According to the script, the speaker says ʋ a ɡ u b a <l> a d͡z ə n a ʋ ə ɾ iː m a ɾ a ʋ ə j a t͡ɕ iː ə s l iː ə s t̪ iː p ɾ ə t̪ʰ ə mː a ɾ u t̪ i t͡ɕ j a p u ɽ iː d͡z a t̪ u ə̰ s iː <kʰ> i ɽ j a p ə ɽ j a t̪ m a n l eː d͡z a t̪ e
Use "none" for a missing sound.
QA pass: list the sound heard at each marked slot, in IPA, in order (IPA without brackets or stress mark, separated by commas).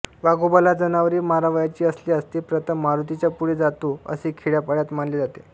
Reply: l, kʰ